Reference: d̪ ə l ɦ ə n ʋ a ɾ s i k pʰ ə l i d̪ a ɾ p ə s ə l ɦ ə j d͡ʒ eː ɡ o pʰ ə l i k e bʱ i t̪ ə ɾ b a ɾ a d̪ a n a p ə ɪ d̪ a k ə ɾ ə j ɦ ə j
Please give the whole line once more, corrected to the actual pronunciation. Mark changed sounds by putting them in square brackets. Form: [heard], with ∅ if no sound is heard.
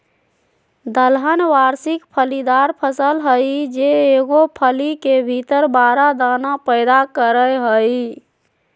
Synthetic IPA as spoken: d̪ ə l ɦ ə n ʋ a ɾ s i k pʰ ə l i d̪ a ɾ [pʰ] ə s ə l ɦ ə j d͡ʒ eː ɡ o pʰ ə l i k e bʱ i t̪ ə ɾ b a ɾ a d̪ a n a p ə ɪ d̪ a k ə ɾ ə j ɦ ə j

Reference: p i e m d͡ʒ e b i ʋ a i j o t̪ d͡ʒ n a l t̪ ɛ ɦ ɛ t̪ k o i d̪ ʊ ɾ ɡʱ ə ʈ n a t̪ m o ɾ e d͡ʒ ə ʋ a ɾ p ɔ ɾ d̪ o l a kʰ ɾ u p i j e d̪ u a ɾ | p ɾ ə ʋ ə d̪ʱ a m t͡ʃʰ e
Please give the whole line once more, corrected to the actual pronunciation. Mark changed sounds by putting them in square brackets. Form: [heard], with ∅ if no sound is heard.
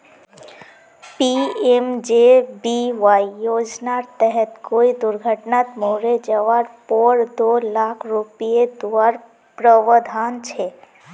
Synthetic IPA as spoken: p i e m d͡ʒ e b i ʋ a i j o [∅] d͡ʒ n a [ɾ] t̪ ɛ ɦ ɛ t̪ k o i d̪ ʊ ɾ ɡʱ ə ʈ n a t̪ m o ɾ e d͡ʒ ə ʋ a ɾ p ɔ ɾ d̪ o l a kʰ ɾ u p i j e d̪ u a ɾ | p ɾ ə ʋ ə d̪ʱ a [n] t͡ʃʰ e

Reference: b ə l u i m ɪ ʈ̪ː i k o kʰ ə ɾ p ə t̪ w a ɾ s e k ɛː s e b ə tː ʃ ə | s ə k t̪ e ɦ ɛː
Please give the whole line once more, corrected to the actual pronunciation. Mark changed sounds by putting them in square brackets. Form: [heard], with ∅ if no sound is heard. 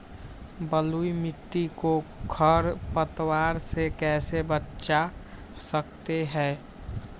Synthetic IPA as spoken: b ə l u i m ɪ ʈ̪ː i k o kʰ ə ɾ p ə t̪ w a ɾ s e k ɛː s e b ə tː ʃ [a] | s ə k t̪ e ɦ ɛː

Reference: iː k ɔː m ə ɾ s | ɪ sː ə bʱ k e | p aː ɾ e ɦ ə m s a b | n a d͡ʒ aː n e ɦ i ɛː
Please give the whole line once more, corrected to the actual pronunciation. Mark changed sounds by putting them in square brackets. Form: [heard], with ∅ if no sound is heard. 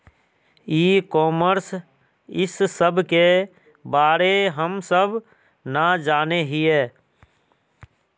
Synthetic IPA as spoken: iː k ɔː m ə ɾ s | ɪ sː ə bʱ k e | [b] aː ɾ e ɦ ə m s [ə] b | n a d͡ʒ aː n e ɦ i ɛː

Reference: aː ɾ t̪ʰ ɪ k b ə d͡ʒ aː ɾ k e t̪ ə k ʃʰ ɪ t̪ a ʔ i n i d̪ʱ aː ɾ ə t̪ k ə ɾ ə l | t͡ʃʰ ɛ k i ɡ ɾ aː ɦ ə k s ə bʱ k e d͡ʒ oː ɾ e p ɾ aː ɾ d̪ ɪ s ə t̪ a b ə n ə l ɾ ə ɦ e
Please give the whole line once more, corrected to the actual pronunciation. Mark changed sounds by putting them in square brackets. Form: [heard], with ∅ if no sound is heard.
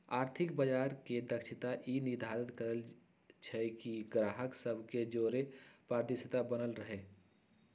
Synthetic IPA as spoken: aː ɾ t̪ʰ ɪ k b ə d͡ʒ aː ɾ k e [d̪] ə k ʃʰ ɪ t̪ a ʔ i n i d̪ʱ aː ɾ ə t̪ k ə ɾ ə l | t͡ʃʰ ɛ k i ɡ ɾ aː ɦ ə k s ə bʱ k e d͡ʒ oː ɾ e p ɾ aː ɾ d̪ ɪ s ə t̪ a b ə n ə l ɾ ə ɦ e

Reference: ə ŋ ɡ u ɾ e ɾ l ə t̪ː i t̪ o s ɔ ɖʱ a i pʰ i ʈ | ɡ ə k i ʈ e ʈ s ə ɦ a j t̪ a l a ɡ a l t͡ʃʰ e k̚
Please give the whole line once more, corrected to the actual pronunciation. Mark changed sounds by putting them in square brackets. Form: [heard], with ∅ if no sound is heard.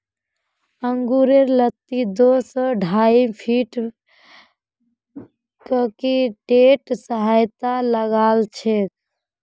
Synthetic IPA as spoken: ə ŋ ɡ u ɾ e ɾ l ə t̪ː i [d̪] o s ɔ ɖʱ a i pʰ i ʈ | [k] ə k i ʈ e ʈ s ə ɦ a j t̪ a l [ə] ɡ a l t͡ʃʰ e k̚

